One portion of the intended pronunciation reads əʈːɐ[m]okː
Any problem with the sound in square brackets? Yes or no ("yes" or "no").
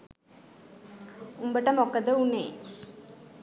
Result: no